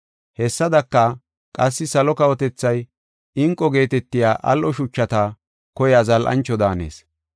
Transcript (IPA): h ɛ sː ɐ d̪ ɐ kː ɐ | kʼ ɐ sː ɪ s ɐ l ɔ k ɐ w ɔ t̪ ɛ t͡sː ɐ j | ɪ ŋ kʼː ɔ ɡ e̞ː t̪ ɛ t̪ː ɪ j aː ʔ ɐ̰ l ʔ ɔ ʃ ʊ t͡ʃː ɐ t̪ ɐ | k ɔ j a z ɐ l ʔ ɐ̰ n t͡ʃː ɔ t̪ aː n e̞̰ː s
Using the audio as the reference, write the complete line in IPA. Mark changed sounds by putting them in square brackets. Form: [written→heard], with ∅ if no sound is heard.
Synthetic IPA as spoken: h ɛ sː ɐ d̪ ɐ kː ɐ | kʼ ɐ sː ɪ s ɐ l ɔ k ɐ w ɔ t̪ ɛ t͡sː ɐ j | ɪ ŋ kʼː ɔ ɡ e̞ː t̪ ɛ t̪ː ɪ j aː ʔ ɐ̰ l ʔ ɔ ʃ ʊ t͡ʃː ɐ t̪ ɐ | k ɔ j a z ɐ l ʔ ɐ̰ n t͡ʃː ɔ [t̪→d̪] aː n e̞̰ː s